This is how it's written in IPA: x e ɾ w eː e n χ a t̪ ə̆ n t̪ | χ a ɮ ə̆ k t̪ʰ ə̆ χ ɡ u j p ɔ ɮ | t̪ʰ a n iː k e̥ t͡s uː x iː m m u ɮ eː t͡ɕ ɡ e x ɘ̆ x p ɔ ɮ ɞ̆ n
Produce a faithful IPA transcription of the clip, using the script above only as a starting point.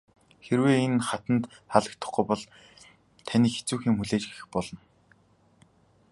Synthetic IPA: x e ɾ w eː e n χ a t̪ ə̆ n t̪ | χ a ɮ ə̆ k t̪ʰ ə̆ χ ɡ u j p ɔ ɮ | t̪ʰ a n iː x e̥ t͡s uː x iː ŋ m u ɮ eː t͡ɕ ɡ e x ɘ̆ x p ɔ ɮ ɞ̆ n